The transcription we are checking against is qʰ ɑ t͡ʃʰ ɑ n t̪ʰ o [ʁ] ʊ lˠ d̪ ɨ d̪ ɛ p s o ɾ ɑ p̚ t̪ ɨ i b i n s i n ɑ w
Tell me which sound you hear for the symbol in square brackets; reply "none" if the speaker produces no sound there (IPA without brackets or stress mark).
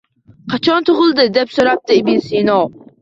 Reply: ʁ